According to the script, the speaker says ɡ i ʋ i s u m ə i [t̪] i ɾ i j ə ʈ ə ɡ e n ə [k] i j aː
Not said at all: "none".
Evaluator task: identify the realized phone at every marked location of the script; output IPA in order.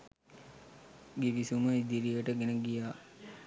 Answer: d̪, ɡ

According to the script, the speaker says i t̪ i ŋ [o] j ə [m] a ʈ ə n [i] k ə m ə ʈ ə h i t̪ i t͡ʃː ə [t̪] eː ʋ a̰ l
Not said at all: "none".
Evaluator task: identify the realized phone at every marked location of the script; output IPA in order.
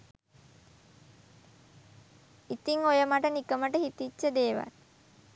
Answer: o, m, i, d̪

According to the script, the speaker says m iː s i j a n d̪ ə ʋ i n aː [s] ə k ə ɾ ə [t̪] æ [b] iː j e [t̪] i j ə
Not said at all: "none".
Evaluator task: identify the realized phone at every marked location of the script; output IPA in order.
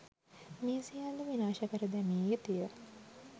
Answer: ʃ, d̪, m, t̪

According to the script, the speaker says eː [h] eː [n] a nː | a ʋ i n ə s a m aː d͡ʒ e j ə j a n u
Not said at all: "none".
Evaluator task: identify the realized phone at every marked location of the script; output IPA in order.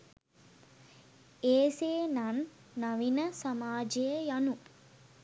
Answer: s, n

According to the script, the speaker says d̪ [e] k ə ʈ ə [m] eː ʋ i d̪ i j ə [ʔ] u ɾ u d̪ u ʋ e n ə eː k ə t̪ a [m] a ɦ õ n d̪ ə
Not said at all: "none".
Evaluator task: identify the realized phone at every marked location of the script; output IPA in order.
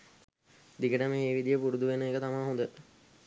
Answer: i, m, p, m

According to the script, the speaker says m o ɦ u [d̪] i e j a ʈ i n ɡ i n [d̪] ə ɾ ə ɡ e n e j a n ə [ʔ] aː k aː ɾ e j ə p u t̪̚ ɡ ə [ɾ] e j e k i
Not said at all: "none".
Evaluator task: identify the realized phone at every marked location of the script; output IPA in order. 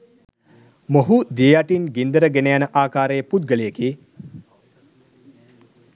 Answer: d̪, d̪, ʔ, l

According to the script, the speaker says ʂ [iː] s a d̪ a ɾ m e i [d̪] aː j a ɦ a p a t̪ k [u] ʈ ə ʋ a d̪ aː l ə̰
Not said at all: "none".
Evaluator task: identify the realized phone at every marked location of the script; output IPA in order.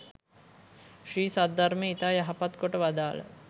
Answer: iː, t̪, o

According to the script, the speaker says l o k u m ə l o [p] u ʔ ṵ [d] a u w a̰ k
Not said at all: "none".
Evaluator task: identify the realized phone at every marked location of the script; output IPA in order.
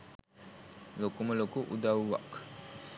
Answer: k, d

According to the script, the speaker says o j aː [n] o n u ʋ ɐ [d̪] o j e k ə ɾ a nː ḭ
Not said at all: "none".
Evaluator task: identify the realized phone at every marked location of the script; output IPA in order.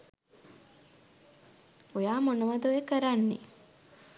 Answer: m, d̪

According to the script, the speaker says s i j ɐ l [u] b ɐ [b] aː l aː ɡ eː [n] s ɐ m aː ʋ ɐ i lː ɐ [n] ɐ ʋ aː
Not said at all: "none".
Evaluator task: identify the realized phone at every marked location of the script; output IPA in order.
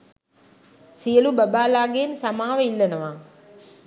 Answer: u, b, n, n

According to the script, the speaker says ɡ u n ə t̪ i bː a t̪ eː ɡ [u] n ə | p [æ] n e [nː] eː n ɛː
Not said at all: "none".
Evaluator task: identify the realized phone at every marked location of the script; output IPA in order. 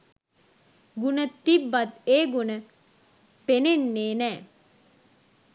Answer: u, e, nː

